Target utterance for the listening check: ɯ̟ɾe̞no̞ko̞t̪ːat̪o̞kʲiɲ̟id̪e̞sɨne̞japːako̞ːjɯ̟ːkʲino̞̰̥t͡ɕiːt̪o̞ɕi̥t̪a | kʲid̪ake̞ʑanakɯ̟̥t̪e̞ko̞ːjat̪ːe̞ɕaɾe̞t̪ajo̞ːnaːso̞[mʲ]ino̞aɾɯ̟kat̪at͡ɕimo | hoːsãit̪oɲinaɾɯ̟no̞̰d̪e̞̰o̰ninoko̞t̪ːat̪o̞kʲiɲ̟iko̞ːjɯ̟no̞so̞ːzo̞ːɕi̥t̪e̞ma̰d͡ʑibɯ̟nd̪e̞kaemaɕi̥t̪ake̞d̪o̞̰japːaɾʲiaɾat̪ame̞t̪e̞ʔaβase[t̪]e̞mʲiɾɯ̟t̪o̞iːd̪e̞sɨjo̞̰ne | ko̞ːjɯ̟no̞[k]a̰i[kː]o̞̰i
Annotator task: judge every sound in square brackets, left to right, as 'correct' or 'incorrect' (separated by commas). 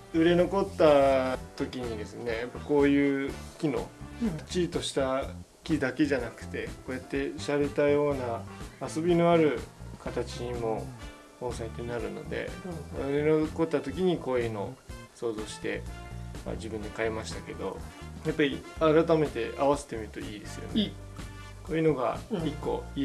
incorrect, correct, incorrect, correct